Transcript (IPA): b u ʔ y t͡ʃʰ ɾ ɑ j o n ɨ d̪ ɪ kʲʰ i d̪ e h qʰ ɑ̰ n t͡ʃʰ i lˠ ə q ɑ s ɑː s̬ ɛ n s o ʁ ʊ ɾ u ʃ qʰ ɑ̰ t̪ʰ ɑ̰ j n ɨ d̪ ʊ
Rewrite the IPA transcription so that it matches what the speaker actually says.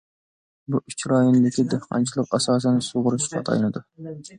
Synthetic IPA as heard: b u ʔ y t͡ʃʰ ɾ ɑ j o n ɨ d̪ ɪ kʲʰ i d̪ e h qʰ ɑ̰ n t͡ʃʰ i lˠ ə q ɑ s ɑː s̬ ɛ n s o ʁ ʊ ɾ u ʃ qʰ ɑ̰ t̪ʰ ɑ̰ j n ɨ d̪ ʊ